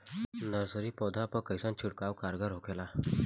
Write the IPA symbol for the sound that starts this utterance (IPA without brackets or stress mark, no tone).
n